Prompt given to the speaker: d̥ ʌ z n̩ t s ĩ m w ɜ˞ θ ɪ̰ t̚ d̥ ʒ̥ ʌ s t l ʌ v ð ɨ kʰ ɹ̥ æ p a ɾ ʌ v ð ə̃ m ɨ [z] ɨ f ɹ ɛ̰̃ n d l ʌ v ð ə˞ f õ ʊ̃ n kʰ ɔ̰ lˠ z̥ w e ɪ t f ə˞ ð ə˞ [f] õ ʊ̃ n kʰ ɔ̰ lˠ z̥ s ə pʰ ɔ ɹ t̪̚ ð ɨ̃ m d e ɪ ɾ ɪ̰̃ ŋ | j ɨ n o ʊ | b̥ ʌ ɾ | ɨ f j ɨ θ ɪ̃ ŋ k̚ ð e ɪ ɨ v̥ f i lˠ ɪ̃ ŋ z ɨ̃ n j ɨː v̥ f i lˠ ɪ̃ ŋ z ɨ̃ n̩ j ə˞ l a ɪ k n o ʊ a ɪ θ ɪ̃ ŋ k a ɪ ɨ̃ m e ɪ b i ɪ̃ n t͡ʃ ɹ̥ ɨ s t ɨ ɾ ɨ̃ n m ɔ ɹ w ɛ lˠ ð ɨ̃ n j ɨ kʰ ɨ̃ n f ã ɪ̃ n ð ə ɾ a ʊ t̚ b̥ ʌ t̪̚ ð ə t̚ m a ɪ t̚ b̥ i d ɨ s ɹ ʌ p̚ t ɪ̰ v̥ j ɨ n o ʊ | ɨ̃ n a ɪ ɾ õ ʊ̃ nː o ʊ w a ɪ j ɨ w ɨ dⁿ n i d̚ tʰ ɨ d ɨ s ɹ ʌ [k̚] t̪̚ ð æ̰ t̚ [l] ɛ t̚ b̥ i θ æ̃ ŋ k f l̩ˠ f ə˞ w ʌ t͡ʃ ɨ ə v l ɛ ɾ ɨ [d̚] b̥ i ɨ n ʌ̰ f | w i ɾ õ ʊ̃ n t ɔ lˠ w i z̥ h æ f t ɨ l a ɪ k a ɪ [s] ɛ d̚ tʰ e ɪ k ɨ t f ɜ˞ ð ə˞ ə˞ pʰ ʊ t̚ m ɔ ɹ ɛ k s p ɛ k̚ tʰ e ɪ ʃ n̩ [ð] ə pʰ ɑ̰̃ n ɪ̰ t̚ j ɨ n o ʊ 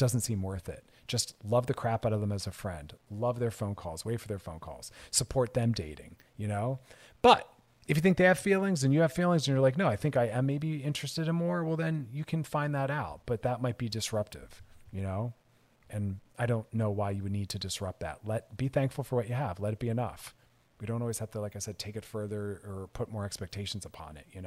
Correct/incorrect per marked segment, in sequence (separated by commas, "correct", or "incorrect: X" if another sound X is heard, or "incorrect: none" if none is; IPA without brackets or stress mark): correct, correct, incorrect: p̚, correct, incorrect: t̚, correct, incorrect: z